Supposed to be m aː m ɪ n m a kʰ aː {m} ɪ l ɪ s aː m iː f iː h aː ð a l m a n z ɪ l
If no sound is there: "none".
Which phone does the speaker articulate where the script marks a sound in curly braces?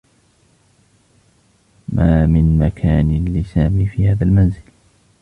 n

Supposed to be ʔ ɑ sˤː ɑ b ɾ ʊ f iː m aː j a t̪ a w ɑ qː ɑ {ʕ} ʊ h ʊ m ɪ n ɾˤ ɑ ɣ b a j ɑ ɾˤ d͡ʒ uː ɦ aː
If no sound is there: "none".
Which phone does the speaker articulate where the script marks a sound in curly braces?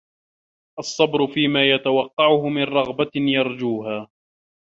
ʕ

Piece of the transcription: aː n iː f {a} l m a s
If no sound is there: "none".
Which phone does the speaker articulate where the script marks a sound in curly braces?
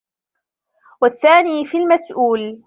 i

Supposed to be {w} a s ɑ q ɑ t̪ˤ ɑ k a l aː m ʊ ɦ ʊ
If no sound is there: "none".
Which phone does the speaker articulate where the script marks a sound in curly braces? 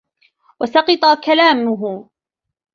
w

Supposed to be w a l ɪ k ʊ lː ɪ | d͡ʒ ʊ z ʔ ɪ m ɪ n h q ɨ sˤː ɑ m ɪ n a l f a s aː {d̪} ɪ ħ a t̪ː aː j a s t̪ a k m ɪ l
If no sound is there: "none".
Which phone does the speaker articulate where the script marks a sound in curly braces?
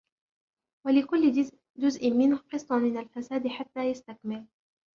d̪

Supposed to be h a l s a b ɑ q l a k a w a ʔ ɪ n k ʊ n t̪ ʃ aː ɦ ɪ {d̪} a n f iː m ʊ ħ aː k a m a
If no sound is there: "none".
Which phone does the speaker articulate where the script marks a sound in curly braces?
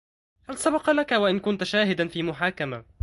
d̪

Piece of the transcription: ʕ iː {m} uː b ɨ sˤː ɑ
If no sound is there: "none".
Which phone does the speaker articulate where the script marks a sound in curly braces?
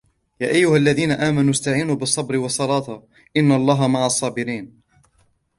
n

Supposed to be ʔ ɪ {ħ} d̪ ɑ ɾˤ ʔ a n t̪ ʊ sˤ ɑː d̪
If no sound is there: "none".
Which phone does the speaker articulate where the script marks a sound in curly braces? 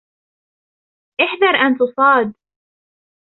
ħ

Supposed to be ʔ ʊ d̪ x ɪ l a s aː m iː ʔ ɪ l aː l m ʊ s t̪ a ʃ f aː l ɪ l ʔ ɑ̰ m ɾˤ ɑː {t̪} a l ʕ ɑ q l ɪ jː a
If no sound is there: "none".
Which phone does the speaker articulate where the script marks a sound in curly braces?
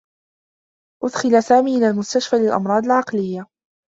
d̪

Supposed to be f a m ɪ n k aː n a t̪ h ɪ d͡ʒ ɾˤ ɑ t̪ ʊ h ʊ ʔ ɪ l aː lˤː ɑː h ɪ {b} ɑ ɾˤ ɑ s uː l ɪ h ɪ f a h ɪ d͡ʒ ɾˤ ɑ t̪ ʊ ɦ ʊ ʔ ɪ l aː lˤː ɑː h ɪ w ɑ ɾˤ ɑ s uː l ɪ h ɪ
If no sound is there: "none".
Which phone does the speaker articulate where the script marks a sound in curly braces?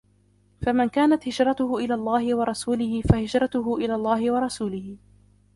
w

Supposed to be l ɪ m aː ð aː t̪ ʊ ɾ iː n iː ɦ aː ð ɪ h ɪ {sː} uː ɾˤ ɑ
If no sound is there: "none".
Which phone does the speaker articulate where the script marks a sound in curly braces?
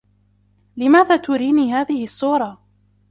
sː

